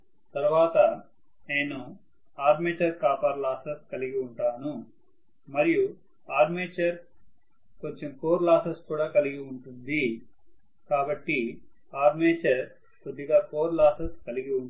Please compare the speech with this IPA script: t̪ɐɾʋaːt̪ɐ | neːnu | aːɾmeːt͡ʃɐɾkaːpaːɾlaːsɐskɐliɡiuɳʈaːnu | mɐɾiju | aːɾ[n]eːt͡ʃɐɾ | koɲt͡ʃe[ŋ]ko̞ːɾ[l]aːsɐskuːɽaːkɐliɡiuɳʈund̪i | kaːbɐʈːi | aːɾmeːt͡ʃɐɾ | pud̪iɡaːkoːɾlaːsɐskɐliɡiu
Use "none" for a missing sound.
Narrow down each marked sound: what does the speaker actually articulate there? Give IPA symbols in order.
m, m, l

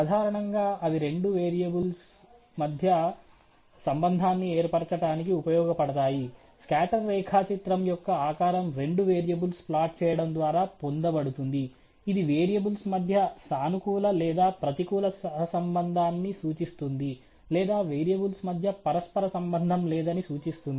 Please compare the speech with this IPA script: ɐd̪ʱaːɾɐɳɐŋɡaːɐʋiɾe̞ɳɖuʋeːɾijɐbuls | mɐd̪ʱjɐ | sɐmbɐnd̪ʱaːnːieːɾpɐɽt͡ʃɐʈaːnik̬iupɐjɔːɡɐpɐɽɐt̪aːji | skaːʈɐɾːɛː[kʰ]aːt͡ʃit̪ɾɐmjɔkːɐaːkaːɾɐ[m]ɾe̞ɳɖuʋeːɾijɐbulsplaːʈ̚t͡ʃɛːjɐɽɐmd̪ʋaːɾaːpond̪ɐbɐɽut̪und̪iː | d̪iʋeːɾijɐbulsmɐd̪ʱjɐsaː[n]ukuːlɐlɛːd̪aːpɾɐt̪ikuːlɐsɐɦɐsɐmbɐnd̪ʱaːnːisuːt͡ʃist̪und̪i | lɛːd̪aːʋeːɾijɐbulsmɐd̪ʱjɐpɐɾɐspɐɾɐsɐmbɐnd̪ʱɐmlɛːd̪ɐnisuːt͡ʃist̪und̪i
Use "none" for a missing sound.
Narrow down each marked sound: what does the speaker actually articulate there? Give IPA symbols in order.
kʰ, m, n

